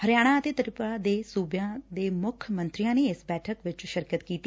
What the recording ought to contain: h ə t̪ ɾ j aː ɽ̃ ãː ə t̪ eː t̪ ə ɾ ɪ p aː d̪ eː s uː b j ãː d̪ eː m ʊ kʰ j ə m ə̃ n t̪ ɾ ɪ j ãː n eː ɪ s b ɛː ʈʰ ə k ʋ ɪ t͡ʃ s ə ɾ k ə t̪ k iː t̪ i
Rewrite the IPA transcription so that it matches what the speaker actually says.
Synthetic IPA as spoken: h ə ɾ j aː ɽ̃ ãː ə t̪ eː t̪ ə ɾ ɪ p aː d̪ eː s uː b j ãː d̪ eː m ʊ kʰ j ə m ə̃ n t̪ ɾ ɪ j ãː n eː ɪ s b ɛː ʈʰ ə k ʋ ɪ t͡ʃ ʃ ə ɾ k ə t̪ k iː t̪ i